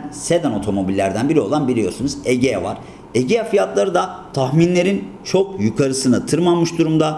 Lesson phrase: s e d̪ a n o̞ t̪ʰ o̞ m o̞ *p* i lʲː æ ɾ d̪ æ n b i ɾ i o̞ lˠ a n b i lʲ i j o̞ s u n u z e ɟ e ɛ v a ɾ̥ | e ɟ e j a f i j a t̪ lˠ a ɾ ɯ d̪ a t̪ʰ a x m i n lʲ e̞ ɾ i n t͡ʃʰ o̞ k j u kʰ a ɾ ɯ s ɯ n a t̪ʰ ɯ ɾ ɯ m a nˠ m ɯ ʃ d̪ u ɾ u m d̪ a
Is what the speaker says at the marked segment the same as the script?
no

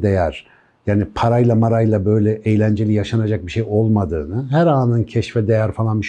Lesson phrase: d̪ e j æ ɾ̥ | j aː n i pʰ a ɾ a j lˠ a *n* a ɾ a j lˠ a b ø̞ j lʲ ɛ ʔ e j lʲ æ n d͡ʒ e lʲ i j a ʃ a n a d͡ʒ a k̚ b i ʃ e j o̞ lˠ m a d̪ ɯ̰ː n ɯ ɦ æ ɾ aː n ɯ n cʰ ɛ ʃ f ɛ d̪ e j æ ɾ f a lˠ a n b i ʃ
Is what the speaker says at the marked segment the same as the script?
no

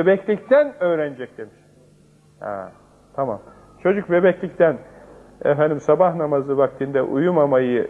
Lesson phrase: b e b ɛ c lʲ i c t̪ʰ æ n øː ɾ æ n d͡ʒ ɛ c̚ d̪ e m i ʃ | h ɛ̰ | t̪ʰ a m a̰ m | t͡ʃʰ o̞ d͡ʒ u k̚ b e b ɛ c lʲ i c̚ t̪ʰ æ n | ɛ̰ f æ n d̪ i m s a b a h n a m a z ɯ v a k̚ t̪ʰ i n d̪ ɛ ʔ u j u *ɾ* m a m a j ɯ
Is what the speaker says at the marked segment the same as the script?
no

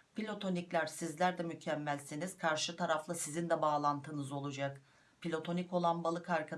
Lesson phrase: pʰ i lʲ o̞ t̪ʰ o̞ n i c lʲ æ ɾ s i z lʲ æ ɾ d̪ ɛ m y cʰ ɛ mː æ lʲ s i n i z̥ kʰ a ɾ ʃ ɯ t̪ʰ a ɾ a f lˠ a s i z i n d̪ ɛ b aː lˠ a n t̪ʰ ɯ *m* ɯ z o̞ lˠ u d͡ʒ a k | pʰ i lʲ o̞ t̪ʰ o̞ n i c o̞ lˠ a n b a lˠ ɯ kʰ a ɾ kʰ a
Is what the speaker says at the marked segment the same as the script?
no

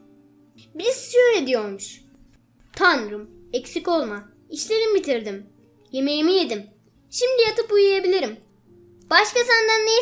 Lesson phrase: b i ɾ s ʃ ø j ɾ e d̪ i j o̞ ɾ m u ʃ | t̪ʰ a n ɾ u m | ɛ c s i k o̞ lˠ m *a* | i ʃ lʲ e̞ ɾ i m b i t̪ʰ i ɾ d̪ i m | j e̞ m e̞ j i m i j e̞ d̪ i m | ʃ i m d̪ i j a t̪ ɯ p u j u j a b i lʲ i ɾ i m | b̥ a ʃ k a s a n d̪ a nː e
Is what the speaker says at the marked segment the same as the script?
yes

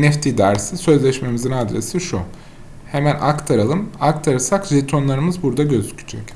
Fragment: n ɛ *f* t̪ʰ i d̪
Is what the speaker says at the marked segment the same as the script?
yes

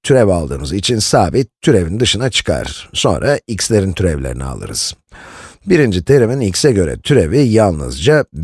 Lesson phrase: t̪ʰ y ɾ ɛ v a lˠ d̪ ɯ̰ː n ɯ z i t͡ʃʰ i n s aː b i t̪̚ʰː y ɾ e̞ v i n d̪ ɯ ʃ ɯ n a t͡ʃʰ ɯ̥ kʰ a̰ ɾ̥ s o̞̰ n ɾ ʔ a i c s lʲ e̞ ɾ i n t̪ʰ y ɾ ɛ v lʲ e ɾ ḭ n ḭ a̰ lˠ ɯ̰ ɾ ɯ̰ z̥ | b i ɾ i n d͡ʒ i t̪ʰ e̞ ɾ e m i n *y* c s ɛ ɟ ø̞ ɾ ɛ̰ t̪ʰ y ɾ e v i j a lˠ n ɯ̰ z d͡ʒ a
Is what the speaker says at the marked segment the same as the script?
no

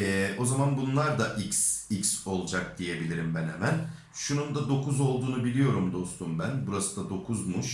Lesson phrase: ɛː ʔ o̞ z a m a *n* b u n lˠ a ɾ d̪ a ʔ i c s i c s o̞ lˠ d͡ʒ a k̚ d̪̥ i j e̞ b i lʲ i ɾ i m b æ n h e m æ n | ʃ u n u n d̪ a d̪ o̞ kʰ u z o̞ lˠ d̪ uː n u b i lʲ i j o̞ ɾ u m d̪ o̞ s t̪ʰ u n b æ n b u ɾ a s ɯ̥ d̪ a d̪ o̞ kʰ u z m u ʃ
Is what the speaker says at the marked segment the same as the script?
yes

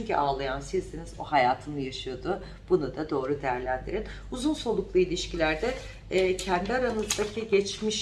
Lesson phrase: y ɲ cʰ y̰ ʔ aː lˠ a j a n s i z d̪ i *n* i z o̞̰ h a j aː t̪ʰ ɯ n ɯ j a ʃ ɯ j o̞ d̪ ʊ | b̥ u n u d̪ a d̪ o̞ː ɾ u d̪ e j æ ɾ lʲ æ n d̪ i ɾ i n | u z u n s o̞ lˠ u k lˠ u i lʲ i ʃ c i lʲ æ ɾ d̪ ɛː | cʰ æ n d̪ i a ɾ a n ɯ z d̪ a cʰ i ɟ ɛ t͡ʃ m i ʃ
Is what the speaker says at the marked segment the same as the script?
yes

